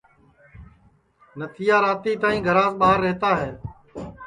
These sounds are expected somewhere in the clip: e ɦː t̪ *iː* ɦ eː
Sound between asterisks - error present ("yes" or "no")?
yes